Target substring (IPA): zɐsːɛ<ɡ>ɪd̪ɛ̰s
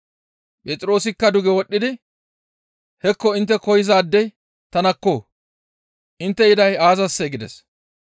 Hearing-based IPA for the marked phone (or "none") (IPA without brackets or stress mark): ɡ